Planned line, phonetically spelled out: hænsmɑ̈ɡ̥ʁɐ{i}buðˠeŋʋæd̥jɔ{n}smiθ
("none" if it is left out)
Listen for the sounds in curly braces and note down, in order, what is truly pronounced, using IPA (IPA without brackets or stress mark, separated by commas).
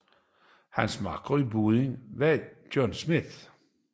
i, n